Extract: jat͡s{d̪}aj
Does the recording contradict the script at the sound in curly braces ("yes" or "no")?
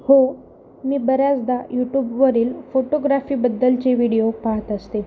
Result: no